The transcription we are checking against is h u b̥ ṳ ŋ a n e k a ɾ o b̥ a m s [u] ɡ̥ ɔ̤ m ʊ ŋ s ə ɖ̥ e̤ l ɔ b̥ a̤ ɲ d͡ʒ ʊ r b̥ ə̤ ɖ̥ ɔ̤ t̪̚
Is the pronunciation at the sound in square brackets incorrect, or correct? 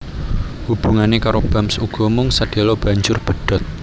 correct